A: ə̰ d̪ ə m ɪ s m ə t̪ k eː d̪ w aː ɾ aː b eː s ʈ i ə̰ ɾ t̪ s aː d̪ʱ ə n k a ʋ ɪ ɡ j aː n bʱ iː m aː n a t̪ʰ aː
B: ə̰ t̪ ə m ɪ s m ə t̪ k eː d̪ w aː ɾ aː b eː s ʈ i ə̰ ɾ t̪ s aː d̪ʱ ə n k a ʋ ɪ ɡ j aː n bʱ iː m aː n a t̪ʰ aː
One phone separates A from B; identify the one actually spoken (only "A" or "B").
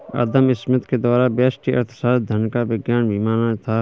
A